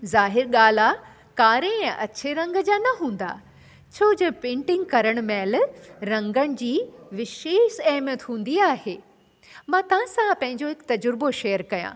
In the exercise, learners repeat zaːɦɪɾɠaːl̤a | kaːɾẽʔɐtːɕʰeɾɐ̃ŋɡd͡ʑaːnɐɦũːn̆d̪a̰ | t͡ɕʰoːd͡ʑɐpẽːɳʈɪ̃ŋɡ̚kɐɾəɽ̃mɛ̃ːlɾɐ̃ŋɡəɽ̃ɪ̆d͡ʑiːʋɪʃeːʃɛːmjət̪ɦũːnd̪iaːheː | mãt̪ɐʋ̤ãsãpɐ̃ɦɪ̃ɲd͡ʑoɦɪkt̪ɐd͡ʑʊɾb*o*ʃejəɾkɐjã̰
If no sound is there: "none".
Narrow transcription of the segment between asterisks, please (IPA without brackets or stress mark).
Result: o